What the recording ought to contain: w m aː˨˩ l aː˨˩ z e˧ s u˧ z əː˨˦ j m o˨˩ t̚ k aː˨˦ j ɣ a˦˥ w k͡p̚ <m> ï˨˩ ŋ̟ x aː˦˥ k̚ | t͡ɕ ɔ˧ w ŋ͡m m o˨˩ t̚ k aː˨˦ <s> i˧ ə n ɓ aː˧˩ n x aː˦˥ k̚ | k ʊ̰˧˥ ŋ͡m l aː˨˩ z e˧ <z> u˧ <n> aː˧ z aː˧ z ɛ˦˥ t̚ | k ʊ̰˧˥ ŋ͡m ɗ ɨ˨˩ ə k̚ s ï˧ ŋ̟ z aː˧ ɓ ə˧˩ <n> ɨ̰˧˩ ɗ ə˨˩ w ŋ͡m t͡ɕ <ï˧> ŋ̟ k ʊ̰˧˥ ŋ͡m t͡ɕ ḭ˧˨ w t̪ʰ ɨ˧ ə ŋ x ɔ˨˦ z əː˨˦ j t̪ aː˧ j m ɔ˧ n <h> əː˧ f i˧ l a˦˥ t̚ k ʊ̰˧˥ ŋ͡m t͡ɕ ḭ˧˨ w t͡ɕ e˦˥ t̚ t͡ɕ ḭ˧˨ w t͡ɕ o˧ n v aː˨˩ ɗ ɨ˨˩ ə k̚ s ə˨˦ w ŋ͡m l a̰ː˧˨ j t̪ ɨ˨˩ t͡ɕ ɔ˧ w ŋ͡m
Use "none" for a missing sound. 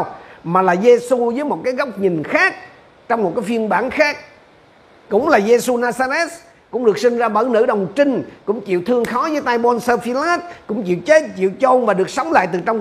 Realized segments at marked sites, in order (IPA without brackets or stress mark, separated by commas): ɲ, f, s, n, n, ï˧, s